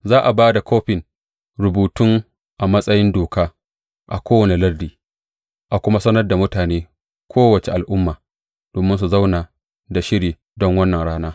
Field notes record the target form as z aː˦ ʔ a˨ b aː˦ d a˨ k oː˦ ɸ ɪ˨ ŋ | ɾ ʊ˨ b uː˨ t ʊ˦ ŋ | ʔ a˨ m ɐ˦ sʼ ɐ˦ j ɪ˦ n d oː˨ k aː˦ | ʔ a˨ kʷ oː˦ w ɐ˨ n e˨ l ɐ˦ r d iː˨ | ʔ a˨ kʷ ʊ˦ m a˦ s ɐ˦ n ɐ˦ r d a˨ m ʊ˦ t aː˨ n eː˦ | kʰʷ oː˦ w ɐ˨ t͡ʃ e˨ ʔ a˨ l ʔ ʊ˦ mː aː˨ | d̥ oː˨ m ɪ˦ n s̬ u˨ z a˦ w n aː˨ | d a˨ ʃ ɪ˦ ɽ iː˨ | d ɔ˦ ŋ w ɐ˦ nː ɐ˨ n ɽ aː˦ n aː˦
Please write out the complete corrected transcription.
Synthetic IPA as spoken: z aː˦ ʔ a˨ b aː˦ d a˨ k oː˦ ɸ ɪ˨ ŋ | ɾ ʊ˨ b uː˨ t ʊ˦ ŋ | ʔ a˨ m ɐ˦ sʼ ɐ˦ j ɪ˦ n d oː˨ k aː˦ | ʔ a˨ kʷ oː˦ w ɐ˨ n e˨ l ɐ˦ r d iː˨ | ʔ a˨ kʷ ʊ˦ m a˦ s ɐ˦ n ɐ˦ r d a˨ m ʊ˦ t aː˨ n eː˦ | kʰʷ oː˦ w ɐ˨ t͡ʃ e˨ ʔ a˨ l ʔ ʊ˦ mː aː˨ | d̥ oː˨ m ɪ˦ n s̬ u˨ z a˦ w n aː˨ | d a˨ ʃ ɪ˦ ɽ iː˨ | d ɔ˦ ŋ w ɐ˦ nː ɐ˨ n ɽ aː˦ n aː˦

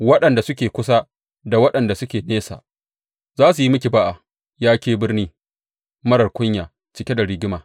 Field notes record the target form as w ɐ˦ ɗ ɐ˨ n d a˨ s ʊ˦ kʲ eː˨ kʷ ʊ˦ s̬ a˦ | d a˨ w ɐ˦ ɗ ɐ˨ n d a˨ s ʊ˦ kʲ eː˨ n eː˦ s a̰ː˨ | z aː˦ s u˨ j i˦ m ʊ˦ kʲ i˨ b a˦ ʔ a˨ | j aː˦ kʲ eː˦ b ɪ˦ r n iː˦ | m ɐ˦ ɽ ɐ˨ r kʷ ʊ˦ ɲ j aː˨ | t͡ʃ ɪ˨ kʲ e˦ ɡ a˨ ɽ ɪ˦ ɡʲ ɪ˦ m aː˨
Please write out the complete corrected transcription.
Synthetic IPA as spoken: w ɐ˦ ɗ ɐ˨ n d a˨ s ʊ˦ kʲ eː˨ kʷ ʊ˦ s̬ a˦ | d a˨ w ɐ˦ ɗ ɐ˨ n d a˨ s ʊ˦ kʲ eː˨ n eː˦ s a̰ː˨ | z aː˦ s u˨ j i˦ m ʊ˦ kʲ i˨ b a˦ ʔ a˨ | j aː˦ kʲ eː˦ b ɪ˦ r n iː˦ | m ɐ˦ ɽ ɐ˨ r kʷ ʊ˦ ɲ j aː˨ | t͡ʃ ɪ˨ kʲ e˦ d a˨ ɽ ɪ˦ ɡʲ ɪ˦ m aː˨

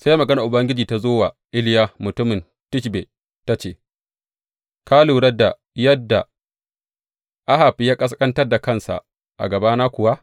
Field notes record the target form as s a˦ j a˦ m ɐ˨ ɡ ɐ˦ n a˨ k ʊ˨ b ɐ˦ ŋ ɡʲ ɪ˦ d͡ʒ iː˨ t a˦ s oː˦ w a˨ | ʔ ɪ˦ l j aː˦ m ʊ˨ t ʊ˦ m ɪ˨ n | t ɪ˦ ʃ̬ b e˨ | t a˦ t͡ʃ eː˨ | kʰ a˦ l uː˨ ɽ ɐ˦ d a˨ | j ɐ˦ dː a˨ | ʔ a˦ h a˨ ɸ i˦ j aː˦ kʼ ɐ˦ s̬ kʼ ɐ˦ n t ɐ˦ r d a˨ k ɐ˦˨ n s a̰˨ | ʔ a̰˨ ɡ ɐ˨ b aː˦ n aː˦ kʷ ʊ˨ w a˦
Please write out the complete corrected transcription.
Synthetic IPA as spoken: s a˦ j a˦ m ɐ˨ ɡ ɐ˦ n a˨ ʔ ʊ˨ b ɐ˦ ŋ ɡʲ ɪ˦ d͡ʒ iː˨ t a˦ z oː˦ w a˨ | ʔ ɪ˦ l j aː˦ m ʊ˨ t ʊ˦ m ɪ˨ n | t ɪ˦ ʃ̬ b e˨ | t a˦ t͡ʃ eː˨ | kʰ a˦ l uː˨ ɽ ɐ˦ d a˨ | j ɐ˦ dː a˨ | ʔ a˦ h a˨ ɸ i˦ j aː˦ kʼ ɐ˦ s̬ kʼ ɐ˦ n t ɐ˦ r d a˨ k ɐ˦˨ n s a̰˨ | ʔ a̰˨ ɡ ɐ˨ b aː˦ n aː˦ kʷ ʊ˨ w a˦

